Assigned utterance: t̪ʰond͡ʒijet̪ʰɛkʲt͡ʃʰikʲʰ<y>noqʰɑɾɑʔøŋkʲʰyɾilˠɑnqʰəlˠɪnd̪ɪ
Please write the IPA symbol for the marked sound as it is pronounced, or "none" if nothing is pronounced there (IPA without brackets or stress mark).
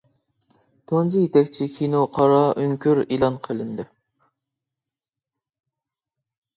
i